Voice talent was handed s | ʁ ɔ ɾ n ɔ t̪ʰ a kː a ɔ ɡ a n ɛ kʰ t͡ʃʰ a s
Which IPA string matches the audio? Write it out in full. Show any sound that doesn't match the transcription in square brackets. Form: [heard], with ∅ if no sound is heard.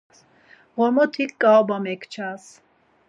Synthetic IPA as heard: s | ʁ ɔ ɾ [m] ɔ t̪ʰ [i] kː a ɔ [b] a [m] ɛ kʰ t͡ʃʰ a s